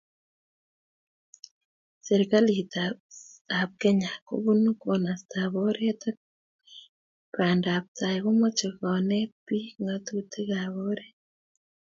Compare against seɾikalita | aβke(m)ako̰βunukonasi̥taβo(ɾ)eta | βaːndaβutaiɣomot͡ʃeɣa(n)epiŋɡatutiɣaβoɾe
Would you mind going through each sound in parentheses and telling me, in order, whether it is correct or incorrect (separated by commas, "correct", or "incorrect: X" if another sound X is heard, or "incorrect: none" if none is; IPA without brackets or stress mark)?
incorrect: ɲ, correct, correct